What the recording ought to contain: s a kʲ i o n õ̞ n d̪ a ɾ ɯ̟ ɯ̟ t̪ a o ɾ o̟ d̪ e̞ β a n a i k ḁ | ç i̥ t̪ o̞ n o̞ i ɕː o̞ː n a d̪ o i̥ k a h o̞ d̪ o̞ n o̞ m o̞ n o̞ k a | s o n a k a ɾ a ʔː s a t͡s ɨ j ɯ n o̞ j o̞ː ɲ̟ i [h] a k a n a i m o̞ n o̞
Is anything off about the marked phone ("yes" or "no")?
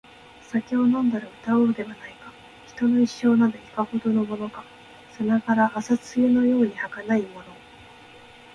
no